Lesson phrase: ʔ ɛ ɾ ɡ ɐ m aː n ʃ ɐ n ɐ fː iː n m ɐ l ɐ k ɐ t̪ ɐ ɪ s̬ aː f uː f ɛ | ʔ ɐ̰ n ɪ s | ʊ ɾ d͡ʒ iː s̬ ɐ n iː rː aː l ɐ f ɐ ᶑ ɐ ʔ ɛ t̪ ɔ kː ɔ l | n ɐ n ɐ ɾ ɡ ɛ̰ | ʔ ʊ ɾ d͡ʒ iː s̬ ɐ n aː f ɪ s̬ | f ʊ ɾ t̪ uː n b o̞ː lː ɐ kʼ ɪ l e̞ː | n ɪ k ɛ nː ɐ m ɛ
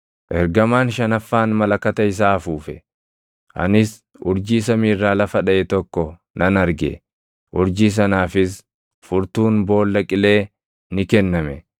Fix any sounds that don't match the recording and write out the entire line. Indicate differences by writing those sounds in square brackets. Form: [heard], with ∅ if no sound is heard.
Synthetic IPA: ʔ ɛ ɾ ɡ ɐ m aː n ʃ ɐ n ɐ fː [aː] n m ɐ l ɐ k ɐ t̪ ɐ ɪ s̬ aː f uː f ɛ | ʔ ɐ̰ n ɪ s | ʊ ɾ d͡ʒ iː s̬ ɐ [m] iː rː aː l ɐ f ɐ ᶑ ɐ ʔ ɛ t̪ ɔ kː ɔ [∅] | n ɐ n ɐ ɾ ɡ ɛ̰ | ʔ ʊ ɾ d͡ʒ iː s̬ ɐ n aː f ɪ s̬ | f ʊ ɾ t̪ uː n b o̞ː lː ɐ kʼ ɪ l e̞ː | n ɪ k ɛ nː ɐ m ɛ

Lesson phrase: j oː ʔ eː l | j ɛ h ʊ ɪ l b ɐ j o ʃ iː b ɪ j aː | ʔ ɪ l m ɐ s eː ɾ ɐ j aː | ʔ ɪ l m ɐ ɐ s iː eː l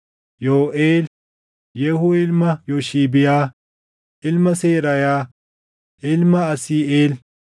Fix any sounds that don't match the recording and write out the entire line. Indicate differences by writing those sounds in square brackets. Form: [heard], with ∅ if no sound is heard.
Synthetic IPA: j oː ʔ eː l | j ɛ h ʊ ɪ l [m] ɐ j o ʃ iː b ɪ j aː | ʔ ɪ l m ɐ s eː ɾ ɐ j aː | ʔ ɪ l m ɐ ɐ s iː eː l

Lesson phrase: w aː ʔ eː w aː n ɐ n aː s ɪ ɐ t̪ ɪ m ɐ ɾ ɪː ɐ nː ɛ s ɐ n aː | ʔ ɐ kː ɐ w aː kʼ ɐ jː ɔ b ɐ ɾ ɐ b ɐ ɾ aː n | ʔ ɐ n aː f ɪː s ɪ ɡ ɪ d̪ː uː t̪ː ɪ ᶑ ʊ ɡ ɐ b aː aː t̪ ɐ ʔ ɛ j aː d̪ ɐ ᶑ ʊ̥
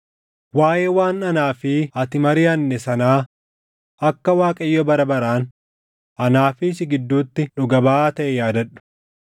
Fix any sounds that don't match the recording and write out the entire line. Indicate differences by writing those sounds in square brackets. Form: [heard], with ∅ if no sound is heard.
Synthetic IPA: w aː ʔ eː w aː n ɐ n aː [f] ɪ ɐ t̪ ɪ m ɐ ɾ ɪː ɐ nː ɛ s ɐ n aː | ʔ ɐ kː ɐ w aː kʼ ɐ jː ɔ b ɐ ɾ ɐ b ɐ ɾ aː n | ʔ ɐ n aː f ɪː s ɪ ɡ ɪ d̪ː uː t̪ː ɪ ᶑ ʊ ɡ ɐ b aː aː t̪ ɐ ʔ ɛ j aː d̪ ɐ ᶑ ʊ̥

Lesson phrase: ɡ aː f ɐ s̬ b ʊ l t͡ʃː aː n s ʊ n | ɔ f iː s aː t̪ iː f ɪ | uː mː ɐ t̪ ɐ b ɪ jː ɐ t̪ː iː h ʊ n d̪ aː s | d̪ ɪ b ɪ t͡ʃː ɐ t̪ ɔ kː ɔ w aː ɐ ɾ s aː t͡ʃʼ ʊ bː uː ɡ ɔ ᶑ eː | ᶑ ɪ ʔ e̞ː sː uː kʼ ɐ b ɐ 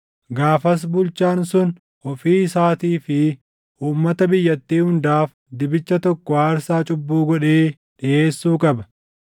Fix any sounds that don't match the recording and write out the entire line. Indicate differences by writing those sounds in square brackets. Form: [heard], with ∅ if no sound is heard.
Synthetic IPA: ɡ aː f ɐ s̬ b ʊ l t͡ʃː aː n s ʊ n | ɔ f iː s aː t̪ iː f ɪ | uː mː ɐ t̪ ɐ b ɪ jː ɐ t̪ː iː h ʊ n d̪ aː [f] | d̪ ɪ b ɪ t͡ʃː ɐ t̪ ɔ kː ɔ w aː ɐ ɾ s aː t͡ʃʼ ʊ bː uː ɡ ɔ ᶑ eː | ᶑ ɪ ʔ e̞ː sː uː kʼ ɐ b ɐ

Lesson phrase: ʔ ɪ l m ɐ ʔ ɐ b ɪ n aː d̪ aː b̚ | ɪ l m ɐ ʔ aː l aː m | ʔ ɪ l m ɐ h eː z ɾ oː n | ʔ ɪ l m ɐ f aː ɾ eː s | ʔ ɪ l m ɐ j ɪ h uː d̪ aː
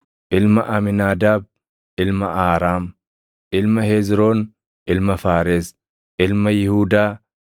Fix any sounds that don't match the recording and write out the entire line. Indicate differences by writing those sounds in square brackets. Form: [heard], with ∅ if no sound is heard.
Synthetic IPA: ʔ ɪ l m ɐ ʔ ɐ [m] ɪ n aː d̪ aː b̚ | ɪ l m ɐ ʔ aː [ɾ] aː m | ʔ ɪ l m ɐ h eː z ɾ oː n | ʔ ɪ l m ɐ f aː ɾ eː s | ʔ ɪ l m ɐ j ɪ h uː d̪ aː

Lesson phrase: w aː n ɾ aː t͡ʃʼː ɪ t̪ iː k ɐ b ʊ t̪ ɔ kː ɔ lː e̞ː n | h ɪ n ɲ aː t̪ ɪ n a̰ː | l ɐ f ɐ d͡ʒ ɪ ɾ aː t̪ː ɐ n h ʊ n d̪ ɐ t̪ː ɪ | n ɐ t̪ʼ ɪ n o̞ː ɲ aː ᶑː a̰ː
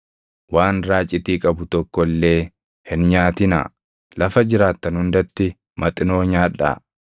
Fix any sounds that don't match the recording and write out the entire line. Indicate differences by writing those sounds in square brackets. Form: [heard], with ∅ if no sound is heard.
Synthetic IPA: w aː n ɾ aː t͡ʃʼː ɪ t̪ iː [kʼ] ɐ b ʊ t̪ ɔ kː ɔ lː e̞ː [∅] | h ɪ n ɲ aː t̪ ɪ n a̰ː | l ɐ f ɐ d͡ʒ ɪ ɾ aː t̪ː ɐ n h ʊ n d̪ ɐ t̪ː ɪ | [m] ɐ t̪ʼ ɪ n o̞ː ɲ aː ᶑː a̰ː

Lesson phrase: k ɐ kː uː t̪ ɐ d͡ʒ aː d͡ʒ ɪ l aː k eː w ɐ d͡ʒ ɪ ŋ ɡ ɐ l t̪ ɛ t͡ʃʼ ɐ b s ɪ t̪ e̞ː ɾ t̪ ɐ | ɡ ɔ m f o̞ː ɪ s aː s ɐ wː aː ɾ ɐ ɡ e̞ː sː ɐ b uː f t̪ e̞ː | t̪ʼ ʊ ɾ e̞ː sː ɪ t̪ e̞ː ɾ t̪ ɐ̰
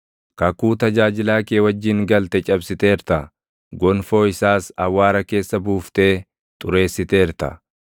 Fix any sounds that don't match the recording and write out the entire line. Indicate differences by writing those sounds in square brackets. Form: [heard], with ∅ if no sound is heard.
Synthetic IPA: k ɐ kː uː t̪ ɐ d͡ʒ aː d͡ʒ ɪ l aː k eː w ɐ [d͡ʒː] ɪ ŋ ɡ ɐ l t̪ ɛ t͡ʃʼ ɐ b s ɪ t̪ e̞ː ɾ t̪ ɐ | ɡ ɔ [n] f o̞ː ɪ s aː s ɐ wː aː ɾ ɐ [k] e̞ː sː ɐ b uː f t̪ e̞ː | t̪ʼ ʊ ɾ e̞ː sː ɪ t̪ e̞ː ɾ t̪ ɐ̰

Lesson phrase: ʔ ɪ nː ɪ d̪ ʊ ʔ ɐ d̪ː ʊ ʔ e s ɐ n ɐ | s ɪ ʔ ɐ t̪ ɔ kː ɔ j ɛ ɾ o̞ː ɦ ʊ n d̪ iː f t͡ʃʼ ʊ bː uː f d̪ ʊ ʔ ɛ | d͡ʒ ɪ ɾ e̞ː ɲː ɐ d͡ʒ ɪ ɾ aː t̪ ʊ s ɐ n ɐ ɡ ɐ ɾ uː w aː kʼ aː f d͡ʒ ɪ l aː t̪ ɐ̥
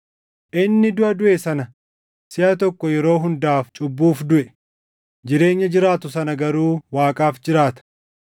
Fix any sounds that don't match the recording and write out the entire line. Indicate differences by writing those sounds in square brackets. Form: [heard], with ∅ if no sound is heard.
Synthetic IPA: ʔ ɪ nː ɪ d̪ ʊ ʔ ɐ [d̪] ʊ ʔ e s ɐ n ɐ | s ɪ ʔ ɐ t̪ ɔ kː ɔ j ɛ ɾ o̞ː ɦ ʊ n d̪ [aː] f t͡ʃʼ ʊ bː uː f d̪ ʊ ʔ ɛ | d͡ʒ ɪ ɾ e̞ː ɲː ɐ d͡ʒ ɪ ɾ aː t̪ ʊ s ɐ n ɐ ɡ ɐ ɾ uː w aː kʼ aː f d͡ʒ ɪ [ɾ] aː t̪ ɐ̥

